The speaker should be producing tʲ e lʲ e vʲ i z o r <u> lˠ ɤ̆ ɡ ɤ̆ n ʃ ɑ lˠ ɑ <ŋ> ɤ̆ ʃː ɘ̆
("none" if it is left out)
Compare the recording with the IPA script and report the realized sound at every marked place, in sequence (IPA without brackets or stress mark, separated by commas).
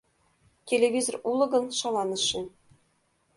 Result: u, n